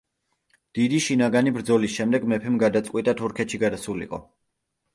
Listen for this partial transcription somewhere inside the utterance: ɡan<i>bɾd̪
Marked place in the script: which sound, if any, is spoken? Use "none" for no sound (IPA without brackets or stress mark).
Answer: i